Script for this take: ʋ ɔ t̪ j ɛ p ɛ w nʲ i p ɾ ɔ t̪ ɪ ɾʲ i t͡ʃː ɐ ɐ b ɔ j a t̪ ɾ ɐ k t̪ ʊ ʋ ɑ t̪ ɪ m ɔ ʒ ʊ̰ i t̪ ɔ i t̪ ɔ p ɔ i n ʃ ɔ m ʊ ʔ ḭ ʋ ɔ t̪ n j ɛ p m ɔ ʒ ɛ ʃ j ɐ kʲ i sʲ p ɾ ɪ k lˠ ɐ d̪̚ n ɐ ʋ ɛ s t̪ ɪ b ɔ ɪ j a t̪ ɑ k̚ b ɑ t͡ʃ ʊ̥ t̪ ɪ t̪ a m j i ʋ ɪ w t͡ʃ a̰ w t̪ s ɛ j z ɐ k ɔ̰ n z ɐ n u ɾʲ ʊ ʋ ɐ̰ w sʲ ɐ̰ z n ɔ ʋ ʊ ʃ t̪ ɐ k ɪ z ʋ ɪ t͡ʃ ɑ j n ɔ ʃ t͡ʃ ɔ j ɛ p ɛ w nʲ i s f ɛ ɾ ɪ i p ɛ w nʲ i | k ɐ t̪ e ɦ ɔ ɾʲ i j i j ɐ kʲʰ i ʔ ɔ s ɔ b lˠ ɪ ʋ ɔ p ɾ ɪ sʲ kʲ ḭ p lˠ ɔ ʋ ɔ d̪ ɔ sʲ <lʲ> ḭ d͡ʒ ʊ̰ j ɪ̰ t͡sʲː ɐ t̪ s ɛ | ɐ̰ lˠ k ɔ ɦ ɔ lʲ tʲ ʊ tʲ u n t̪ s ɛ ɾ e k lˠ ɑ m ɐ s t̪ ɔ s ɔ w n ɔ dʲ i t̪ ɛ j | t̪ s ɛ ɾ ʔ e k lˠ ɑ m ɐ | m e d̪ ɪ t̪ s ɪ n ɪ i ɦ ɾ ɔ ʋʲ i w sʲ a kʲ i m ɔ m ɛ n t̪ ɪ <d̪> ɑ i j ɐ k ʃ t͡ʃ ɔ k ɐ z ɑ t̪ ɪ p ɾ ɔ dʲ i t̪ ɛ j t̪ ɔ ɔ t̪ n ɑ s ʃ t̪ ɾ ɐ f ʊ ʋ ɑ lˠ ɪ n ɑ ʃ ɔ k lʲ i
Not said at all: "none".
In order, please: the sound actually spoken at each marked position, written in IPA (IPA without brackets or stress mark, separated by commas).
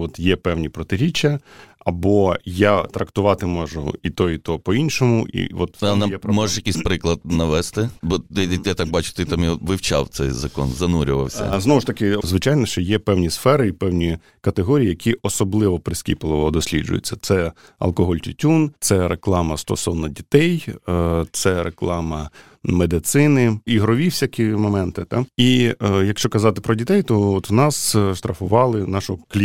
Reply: lʲ, t̪